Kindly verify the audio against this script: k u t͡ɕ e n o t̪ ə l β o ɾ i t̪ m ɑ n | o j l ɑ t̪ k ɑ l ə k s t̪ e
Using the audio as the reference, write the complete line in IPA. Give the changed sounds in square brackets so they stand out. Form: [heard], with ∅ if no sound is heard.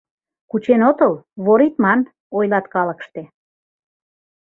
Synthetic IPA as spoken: k u t͡ɕ e n o t̪ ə l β o ɾ i t̪ m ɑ n | o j l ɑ t̪ k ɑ l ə k [ʃ] t̪ e